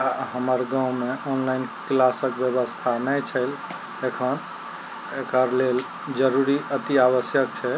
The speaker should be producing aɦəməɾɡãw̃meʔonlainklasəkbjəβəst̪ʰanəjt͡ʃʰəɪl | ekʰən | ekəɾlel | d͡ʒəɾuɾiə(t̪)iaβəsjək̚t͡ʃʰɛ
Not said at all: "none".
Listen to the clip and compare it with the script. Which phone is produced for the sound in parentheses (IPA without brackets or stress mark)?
t̪